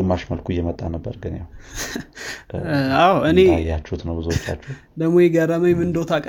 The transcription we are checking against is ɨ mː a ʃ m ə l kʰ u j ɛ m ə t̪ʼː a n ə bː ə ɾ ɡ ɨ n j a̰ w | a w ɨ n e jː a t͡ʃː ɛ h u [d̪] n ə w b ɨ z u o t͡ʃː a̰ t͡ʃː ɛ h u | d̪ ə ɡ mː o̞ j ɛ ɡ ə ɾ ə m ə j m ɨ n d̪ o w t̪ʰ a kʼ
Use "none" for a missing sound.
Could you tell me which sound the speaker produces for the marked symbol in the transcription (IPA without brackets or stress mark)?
t̪